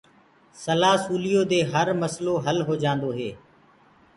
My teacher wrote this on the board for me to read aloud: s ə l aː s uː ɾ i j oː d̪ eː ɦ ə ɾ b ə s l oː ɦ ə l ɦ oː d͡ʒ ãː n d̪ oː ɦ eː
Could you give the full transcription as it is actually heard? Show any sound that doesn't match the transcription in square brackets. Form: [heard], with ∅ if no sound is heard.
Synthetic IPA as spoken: s ə l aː s uː [l] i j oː d̪ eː ɦ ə ɾ [m] ə s l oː ɦ ə l ɦ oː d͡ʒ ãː n d̪ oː ɦ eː